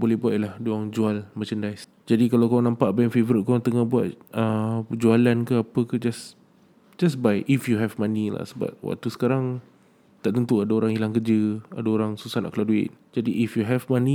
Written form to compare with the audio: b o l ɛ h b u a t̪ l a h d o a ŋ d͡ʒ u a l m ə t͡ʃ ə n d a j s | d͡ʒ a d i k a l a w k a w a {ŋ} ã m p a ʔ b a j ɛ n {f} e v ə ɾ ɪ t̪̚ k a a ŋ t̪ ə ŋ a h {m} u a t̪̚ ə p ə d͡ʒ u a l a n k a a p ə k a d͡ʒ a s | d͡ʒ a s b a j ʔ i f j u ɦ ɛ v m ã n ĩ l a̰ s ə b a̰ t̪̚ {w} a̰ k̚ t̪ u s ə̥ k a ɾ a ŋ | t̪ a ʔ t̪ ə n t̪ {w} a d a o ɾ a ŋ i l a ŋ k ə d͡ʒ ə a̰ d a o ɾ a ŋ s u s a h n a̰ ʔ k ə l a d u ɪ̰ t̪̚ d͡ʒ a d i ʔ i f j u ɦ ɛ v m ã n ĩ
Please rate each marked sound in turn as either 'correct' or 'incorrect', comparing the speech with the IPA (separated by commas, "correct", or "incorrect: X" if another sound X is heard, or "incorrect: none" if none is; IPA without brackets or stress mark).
incorrect: n, correct, incorrect: b, correct, incorrect: u